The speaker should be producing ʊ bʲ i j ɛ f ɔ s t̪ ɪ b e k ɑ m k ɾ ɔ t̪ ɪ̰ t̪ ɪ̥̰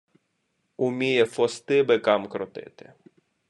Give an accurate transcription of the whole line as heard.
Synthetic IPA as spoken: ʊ mʲ i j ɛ f ɔ s t̪ ɪ b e k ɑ m k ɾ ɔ t̪ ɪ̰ t̪ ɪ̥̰